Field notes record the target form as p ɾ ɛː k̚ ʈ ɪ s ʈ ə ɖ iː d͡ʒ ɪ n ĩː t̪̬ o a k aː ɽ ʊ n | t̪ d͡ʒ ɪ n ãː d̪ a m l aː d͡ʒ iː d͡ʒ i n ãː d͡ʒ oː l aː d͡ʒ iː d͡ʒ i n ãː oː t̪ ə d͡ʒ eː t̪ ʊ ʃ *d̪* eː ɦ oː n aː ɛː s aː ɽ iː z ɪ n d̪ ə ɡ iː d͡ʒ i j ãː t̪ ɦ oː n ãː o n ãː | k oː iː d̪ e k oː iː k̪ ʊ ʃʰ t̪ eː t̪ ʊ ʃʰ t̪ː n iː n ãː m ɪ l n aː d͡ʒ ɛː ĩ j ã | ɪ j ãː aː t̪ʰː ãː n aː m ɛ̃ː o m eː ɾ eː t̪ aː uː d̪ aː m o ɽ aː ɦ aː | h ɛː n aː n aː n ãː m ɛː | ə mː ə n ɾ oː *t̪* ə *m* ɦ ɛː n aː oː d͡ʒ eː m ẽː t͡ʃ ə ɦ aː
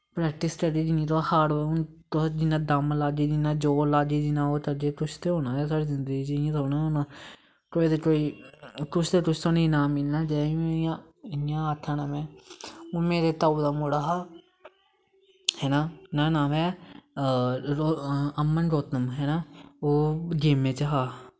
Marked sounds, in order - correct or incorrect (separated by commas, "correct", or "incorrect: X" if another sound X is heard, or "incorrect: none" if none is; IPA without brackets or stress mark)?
incorrect: t̪, correct, correct